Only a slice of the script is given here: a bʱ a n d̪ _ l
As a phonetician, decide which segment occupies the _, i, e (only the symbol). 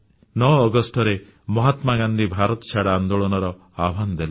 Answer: e